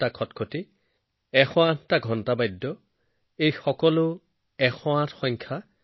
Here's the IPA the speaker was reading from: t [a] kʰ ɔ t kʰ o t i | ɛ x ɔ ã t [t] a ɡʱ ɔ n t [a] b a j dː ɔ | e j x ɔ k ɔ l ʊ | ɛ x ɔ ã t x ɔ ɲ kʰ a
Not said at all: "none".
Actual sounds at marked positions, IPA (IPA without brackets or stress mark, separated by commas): a, t, a